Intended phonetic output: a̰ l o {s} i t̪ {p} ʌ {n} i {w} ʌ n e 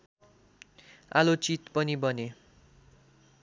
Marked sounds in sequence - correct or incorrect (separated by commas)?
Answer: incorrect, correct, correct, incorrect